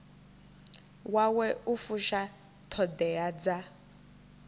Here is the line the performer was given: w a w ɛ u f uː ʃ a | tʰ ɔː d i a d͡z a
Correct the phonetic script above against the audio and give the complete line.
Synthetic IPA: w a w ɛ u f u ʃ a | tʰ ɔ d ɛ a d͡z a